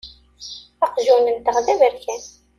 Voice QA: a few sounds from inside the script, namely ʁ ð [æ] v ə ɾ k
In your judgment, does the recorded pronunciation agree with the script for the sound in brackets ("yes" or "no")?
yes